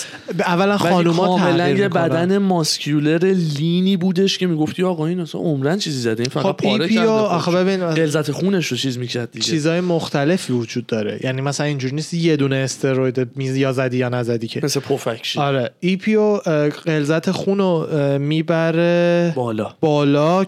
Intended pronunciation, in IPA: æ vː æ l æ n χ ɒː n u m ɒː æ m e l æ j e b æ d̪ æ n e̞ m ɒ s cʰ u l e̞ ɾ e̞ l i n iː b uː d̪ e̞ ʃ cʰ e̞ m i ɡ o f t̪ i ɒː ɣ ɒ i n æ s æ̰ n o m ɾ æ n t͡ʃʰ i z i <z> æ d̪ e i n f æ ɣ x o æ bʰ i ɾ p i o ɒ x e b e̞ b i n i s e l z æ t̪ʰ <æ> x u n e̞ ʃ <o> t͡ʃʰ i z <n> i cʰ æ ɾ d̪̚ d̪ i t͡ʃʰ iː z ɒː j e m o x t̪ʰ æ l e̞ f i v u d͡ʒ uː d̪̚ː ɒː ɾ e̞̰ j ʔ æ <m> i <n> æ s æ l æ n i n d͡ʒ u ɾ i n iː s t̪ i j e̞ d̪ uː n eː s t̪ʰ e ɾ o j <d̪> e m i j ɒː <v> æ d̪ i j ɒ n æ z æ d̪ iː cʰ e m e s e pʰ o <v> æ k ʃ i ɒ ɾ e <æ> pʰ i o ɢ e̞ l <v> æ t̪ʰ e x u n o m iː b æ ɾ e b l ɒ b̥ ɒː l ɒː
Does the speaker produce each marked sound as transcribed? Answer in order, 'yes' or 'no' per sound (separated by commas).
yes, no, yes, no, no, no, yes, no, no, no, no